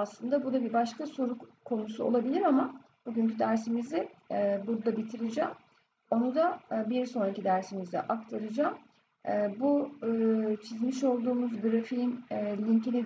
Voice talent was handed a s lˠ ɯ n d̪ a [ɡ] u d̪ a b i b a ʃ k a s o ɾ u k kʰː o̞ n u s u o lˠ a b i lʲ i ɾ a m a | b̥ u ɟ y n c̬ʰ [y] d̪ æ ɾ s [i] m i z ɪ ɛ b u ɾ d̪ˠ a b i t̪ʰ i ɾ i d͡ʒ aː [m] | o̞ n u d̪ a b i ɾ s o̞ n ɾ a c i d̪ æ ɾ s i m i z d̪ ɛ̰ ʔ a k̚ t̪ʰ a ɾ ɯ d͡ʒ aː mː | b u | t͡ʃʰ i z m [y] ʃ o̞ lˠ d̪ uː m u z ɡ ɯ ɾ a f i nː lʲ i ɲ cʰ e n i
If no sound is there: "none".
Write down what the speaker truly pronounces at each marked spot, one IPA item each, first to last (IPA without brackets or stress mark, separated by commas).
b, y, i, m, i